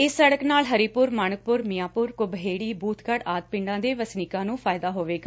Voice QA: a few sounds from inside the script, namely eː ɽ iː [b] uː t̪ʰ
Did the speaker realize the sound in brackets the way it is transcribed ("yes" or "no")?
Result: yes